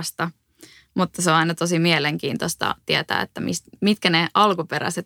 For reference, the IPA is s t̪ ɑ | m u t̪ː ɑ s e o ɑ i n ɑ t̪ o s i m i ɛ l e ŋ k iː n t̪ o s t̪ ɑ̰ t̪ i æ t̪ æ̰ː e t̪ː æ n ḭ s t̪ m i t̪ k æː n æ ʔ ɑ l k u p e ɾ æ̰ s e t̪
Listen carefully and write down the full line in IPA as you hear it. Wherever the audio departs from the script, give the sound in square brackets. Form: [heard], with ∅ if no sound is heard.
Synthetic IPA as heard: s t̪ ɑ | m u t̪ː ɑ s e o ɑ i n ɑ t̪ o s i m i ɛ l e ŋ k iː n t̪ o s t̪ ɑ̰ t̪ i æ t̪ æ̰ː e t̪ː æ [m] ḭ s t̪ m i t̪ k [æ] n [e] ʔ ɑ l k u p e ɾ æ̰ s e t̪